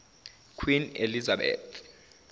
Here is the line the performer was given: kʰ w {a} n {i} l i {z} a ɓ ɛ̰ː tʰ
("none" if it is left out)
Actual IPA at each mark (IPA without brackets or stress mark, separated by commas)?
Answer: i, e, z